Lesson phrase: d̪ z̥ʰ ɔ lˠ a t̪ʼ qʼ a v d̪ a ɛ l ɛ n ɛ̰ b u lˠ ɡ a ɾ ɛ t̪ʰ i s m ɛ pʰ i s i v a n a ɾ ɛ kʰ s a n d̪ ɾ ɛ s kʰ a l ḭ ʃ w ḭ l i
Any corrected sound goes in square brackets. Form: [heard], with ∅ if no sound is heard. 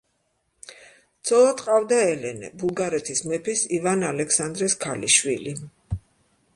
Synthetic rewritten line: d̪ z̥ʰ ɔ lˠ a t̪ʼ qʼ a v d̪ a ɛ l ɛ n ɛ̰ b u lˠ ɡ a ɾ ɛ t̪ʰ i s m ɛ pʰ i s i v a n a [l] ɛ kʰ s a n d̪ ɾ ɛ s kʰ a l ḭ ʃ w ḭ l i